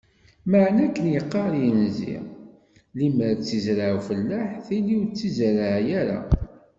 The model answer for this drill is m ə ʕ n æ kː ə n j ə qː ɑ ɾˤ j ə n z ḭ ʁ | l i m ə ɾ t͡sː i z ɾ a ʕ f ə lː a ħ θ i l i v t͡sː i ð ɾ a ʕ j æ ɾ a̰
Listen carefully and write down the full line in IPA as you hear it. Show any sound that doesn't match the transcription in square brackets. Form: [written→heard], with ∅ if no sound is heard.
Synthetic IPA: m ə ʕ n æ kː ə n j ə qː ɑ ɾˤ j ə n z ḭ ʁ | l i m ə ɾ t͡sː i z ɾ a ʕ f ə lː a ħ θ i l i [v→w] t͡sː i [ð→z] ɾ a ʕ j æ ɾ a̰